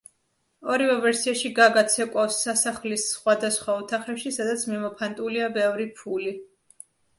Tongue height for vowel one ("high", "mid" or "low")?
mid